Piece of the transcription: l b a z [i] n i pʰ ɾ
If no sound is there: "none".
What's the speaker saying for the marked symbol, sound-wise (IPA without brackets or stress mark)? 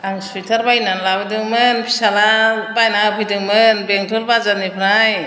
a